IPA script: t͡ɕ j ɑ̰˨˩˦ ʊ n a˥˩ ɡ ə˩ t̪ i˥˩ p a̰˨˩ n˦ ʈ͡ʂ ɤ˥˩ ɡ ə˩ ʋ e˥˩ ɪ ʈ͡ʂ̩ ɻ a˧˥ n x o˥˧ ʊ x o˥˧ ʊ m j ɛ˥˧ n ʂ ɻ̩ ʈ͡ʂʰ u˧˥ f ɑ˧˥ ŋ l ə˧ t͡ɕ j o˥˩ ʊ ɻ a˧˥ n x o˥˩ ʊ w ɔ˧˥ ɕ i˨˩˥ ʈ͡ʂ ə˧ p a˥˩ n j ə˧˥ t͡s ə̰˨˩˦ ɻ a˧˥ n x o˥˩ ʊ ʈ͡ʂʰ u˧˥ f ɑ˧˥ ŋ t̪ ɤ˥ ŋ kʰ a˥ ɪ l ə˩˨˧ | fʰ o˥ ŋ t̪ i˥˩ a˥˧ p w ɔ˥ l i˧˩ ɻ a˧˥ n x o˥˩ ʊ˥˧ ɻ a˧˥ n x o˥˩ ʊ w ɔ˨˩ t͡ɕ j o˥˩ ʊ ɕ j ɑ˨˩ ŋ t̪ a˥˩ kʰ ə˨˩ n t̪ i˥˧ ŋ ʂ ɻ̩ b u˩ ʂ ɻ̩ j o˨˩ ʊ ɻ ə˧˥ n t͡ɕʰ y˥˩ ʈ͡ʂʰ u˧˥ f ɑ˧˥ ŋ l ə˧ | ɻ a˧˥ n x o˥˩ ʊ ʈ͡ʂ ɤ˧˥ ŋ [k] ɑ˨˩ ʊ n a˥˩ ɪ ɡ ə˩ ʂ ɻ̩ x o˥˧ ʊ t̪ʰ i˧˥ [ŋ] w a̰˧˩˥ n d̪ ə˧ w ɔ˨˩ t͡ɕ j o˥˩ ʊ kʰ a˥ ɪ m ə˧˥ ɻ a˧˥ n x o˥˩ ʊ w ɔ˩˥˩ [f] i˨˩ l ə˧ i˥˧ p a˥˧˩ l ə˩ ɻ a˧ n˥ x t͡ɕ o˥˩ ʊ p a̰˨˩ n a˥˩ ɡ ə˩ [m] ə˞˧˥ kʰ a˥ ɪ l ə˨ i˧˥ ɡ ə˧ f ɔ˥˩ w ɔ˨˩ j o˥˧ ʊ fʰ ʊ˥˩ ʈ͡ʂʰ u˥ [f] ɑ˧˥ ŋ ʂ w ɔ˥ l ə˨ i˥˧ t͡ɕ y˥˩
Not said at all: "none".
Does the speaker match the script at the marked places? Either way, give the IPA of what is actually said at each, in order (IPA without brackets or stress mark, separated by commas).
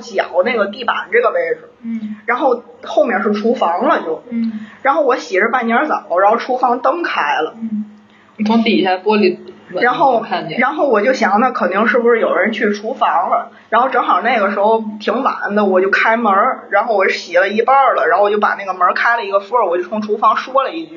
x, ŋ, ɕ, m, f